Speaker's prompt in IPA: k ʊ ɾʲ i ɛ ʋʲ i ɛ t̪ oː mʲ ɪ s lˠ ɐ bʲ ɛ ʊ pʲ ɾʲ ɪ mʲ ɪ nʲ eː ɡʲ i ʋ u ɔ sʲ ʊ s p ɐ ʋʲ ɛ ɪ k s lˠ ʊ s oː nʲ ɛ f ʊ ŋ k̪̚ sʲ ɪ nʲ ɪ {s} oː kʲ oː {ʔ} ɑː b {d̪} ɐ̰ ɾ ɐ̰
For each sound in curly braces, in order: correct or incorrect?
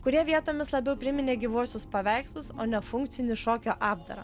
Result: incorrect: ʃ, correct, correct

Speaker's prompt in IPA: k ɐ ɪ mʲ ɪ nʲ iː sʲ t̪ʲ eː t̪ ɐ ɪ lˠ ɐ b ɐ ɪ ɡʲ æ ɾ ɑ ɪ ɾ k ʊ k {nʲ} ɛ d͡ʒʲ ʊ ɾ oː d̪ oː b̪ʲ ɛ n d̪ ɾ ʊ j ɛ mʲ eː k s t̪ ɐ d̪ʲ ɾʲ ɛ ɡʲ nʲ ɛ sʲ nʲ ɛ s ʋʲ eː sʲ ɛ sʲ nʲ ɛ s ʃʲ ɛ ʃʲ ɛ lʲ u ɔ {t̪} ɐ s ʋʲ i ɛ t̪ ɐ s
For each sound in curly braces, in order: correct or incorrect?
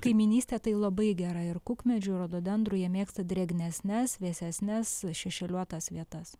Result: incorrect: mʲ, correct

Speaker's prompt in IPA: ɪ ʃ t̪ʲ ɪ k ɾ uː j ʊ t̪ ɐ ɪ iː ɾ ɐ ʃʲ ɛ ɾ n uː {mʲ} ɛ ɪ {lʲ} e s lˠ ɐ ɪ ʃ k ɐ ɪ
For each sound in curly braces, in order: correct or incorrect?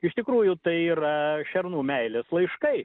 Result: correct, correct

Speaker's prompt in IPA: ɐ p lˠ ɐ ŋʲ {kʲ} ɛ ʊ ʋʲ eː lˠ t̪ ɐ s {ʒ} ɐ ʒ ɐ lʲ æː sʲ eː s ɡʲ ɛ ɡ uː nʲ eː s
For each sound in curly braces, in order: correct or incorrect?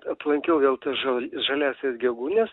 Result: correct, correct

